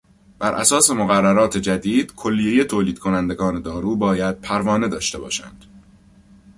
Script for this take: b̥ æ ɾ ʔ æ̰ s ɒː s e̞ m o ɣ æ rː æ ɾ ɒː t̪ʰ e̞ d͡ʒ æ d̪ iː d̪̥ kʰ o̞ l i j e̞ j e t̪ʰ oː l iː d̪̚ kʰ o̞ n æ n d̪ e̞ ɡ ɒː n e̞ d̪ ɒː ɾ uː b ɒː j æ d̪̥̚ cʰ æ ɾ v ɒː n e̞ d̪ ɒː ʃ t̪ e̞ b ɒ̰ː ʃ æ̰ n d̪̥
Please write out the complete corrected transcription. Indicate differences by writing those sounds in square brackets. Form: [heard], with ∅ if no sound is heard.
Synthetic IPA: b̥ æ ɾ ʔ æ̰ s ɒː s e̞ m o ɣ æ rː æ ɾ ɒː t̪ʰ e̞ d͡ʒ æ d̪ iː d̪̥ kʰ o̞ [lː] i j e̞ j e t̪ʰ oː l iː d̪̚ kʰ o̞ n æ n d̪ e̞ ɡ ɒː n e̞ d̪ ɒː ɾ uː b ɒː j æ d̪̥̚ [pʰ] æ ɾ v ɒː n e̞ d̪ ɒː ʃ t̪ e̞ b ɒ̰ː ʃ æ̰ n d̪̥